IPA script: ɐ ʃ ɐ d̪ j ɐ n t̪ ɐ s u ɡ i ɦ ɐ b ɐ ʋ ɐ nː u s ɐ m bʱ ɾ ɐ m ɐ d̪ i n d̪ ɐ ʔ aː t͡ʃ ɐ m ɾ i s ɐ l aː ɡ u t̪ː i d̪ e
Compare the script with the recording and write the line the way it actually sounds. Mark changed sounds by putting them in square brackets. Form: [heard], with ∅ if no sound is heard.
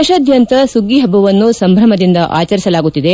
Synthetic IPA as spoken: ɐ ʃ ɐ d̪ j ɐ n t̪ ɐ s u ɡ i ɦ ɐ b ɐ ʋ ɐ nː u s ɐ m bʱ ɾ ɐ m ɐ d̪ i n d̪ ɐ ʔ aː t͡ʃ ɐ [∅] ɾ i s ɐ l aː ɡ u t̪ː i d̪ e